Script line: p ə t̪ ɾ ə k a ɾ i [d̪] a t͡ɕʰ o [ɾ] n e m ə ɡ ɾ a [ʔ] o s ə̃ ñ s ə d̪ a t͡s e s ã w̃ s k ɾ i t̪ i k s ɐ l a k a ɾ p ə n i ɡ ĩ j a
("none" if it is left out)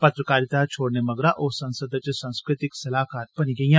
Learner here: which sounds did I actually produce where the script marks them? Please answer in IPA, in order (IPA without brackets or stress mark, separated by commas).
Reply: t̪, ɽ, ʔ